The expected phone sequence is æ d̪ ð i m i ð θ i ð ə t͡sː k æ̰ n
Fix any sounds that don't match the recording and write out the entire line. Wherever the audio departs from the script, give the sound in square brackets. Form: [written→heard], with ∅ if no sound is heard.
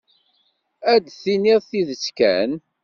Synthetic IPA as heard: æ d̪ [ð→θ] i [m→n] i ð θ i ð ə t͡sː k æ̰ n